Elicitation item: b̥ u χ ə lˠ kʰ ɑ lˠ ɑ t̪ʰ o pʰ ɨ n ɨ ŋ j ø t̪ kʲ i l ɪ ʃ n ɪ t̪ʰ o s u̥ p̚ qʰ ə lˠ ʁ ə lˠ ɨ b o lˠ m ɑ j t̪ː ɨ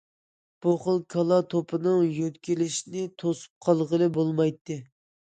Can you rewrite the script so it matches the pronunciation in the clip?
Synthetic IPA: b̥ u χ ə lˠ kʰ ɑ lˠ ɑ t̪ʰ o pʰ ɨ n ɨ ŋ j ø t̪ kʲ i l ɪ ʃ n ɪ t̪ʰ o s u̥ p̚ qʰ ɑ lˠ ʁ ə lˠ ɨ b o lˠ m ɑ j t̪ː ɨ